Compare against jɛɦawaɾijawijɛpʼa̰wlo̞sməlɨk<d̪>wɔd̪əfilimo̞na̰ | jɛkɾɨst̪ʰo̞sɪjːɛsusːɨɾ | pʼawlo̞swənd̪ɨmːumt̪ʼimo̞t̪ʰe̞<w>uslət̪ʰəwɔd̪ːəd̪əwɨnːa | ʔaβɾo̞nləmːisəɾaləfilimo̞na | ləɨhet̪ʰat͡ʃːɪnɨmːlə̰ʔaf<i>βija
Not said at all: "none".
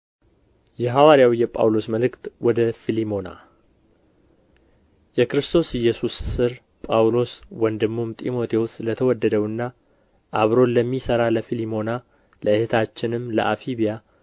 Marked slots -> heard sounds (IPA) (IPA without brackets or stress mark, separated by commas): t̪, w, i